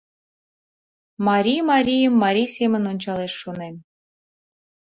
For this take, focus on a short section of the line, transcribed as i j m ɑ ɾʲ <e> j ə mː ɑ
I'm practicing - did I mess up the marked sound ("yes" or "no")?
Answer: yes